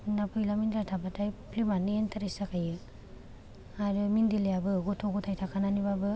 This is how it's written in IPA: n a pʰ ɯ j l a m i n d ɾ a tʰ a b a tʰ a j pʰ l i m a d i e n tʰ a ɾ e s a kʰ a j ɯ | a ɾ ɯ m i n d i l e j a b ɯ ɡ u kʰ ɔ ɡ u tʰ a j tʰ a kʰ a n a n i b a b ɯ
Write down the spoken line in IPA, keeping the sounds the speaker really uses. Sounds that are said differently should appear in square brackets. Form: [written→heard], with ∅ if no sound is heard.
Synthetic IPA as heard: n a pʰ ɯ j l a m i n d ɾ a tʰ a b a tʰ a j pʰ l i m a [d→n] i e n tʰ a ɾ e s a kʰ a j ɯ | a ɾ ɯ m i n d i l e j a b ɯ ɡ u [kʰ→tʰ] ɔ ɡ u tʰ a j tʰ a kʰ a n a n i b a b ɯ